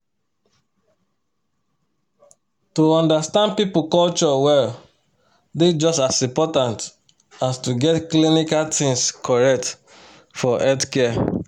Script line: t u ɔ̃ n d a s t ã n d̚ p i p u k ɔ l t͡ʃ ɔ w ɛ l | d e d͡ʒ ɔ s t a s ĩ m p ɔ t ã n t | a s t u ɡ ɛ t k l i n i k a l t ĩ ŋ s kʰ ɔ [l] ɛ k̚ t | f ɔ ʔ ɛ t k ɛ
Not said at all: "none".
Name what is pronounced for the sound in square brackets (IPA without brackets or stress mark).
ɹ